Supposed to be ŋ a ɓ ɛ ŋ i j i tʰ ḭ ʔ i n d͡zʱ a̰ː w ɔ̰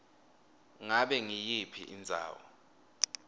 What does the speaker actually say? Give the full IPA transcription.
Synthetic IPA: ŋ a ɓ ɛ ŋ i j i pʰ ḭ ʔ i n d͡zʱ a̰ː w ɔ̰